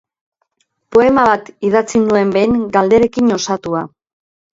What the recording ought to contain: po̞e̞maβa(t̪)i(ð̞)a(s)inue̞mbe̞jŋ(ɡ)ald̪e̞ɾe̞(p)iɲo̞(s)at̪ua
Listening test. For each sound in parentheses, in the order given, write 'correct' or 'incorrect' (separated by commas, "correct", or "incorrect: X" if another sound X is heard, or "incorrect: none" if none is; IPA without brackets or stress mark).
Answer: correct, correct, incorrect: t͡s, correct, incorrect: k, correct